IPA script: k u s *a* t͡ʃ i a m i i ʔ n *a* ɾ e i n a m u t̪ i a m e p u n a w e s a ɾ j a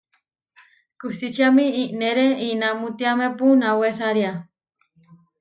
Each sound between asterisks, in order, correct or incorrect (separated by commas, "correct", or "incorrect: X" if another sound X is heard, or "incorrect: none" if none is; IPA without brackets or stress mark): incorrect: i, incorrect: e